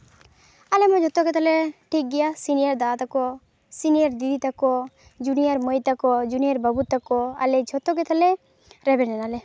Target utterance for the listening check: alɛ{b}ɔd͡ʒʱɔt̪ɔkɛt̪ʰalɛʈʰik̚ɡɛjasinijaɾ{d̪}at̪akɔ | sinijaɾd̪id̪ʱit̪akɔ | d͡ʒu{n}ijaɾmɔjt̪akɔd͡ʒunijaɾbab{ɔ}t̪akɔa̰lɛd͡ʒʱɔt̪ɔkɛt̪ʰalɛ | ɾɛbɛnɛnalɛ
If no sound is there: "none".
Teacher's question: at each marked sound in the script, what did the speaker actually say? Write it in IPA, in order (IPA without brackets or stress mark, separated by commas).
m, d̪, n, u